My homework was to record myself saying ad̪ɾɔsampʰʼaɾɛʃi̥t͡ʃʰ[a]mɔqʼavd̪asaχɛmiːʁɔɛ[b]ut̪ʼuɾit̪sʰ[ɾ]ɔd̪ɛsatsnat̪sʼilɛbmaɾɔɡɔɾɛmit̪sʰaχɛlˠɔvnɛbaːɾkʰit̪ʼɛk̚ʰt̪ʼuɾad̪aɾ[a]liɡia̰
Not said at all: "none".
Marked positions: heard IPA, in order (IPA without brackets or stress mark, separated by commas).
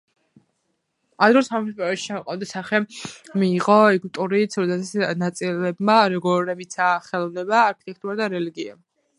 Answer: a, ɡ, ɾ, ɛ